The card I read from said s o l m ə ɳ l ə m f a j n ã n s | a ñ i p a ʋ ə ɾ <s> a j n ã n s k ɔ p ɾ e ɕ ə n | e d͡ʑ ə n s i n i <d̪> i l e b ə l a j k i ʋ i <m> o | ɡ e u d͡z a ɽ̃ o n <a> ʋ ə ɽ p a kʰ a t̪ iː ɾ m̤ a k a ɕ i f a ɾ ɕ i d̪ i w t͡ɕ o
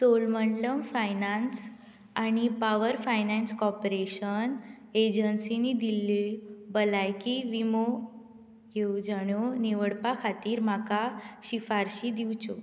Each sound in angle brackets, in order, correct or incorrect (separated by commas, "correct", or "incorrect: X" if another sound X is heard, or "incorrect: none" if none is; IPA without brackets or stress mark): incorrect: f, correct, correct, incorrect: i